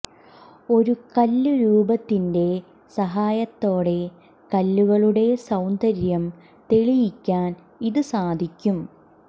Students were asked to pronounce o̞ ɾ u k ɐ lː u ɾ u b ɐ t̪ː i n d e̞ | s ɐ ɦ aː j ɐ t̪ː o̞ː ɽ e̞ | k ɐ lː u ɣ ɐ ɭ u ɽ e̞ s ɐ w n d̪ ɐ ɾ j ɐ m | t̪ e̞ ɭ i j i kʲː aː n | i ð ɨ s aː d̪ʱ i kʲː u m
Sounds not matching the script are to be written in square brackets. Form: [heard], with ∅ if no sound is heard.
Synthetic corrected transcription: o̞ ɾ u k ɐ lː u ɾ [uː] b ɐ t̪ː i n d e̞ | s ɐ ɦ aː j ɐ t̪ː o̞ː ɽ e̞ | k ɐ lː u ɣ ɐ ɭ u ɽ e̞ s ɐ w n d̪ ɐ ɾ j ɐ m | t̪ e̞ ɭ i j i kʲː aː n | i ð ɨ s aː d̪ʱ i kʲː u m